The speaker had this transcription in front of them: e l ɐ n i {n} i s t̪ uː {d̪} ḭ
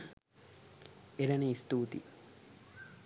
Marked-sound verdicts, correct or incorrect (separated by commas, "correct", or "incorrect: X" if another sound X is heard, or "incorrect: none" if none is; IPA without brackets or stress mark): incorrect: none, incorrect: t̪